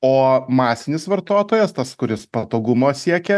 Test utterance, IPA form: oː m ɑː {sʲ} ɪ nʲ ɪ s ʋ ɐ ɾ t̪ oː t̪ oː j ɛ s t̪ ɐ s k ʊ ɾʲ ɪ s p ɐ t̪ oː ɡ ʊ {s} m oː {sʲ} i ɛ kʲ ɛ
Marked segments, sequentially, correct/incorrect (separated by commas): correct, incorrect, correct